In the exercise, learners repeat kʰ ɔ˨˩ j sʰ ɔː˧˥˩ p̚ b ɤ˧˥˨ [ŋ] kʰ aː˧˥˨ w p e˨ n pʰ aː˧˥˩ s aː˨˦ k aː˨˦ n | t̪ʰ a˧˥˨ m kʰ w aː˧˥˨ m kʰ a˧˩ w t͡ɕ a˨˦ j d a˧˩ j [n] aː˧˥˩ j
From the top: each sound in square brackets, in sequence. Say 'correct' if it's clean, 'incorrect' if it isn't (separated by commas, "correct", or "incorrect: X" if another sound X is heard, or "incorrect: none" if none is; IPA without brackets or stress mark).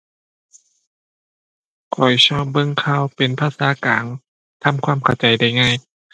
correct, incorrect: ŋ